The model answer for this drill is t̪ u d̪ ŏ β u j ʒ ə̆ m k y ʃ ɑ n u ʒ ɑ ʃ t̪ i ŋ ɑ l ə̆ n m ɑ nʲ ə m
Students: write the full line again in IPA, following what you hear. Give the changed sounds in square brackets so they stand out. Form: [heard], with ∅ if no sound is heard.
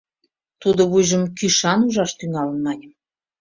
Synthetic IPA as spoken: t̪ u d̪ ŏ β u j ʒ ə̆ m k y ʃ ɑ n u ʒ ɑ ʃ t̪ [y] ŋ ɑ l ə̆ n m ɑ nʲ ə m